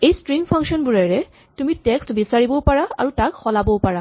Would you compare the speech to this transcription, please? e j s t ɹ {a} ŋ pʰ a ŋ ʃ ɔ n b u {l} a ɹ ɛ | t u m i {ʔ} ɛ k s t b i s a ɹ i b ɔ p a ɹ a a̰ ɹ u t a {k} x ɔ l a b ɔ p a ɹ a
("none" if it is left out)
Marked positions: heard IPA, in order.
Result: i, ɹ, t, k

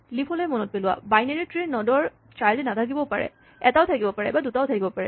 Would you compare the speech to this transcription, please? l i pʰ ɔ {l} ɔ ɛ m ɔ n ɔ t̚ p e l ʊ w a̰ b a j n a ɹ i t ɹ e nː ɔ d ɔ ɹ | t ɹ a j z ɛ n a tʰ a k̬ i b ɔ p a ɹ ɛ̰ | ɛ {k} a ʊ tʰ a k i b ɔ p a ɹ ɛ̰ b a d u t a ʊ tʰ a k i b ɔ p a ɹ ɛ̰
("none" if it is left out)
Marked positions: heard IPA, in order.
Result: l, t

